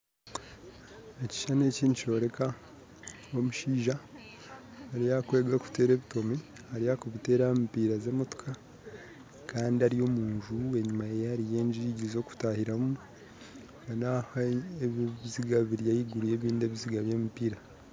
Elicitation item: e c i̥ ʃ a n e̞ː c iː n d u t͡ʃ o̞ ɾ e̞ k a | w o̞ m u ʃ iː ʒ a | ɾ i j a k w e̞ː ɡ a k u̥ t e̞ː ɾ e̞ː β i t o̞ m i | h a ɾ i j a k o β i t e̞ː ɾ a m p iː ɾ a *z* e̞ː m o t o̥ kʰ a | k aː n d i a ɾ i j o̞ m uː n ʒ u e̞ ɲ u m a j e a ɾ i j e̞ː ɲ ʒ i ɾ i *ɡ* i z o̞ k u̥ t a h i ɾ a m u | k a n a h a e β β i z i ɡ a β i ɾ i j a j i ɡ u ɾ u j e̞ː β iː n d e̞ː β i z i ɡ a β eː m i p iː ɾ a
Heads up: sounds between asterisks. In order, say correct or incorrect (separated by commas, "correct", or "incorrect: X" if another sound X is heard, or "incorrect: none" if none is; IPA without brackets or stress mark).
correct, incorrect: ɟ